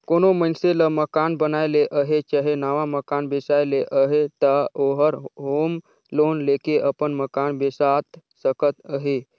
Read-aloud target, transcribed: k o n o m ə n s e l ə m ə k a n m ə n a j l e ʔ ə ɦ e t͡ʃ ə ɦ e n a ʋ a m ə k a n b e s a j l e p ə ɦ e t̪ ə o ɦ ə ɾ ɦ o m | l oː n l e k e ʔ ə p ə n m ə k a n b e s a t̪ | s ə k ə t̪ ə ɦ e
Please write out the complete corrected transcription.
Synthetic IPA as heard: k o n o m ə n s e l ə m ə k a n b ə n a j l e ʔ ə ɦ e t͡ʃ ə ɦ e n a ʋ a m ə k a n b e s a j l e ʔ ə ɦ e t̪ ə o ɦ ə ɾ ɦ o m | l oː n l e k e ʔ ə p ə n m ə k a n b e s a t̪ | s ə k ə t̪ ə ɦ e